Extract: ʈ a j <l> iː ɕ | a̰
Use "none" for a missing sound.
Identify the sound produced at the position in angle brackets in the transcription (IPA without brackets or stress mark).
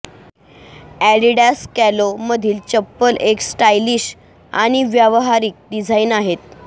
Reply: l